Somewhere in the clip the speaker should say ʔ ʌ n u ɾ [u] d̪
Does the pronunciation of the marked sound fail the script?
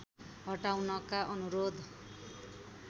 yes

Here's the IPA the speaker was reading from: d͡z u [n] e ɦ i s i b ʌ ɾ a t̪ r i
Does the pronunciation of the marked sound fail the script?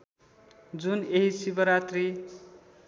no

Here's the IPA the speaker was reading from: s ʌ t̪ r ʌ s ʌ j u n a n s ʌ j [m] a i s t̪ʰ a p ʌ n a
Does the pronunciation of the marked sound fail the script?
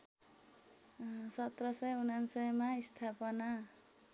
no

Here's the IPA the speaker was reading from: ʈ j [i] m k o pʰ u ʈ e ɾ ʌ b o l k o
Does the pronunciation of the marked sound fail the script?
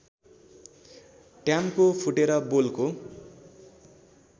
yes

